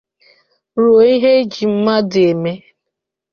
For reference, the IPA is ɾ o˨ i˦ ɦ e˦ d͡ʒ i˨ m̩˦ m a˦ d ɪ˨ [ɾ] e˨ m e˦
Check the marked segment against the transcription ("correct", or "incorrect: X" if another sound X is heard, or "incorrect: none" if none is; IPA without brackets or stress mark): incorrect: none